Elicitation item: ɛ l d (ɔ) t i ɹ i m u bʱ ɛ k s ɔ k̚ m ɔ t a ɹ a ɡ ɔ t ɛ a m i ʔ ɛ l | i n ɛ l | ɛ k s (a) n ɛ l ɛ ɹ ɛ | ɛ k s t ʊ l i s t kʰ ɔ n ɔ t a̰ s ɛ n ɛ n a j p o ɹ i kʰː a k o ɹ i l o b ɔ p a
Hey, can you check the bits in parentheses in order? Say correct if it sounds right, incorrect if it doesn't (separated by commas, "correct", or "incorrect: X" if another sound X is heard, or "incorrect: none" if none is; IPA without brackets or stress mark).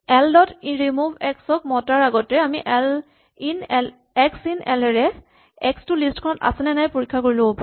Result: correct, incorrect: i